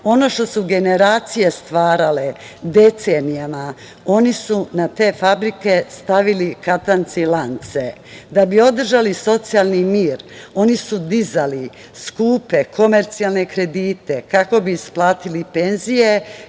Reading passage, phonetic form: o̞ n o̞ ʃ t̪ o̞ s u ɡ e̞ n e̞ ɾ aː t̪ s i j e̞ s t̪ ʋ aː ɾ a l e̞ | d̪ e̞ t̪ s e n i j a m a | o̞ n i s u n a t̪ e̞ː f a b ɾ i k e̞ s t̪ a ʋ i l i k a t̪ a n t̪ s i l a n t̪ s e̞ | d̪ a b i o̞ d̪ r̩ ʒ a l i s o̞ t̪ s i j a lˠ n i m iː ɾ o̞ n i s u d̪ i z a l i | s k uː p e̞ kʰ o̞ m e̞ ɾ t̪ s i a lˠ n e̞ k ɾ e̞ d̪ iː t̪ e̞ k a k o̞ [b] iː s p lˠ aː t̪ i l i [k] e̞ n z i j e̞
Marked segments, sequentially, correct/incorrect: correct, incorrect: p

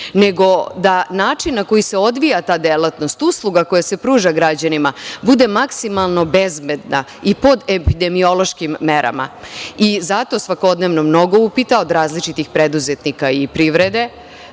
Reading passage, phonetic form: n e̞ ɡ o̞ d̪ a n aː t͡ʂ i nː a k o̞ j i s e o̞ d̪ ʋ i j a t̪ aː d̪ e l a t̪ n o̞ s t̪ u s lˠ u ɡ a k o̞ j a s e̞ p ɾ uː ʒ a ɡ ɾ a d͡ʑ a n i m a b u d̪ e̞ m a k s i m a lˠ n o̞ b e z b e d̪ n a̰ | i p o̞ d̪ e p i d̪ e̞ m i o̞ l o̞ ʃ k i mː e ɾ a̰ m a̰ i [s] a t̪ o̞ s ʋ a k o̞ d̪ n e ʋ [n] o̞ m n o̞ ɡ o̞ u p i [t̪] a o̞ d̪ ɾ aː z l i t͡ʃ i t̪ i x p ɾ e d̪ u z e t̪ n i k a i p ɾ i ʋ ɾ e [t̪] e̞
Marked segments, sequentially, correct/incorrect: incorrect: z, correct, correct, incorrect: d̪

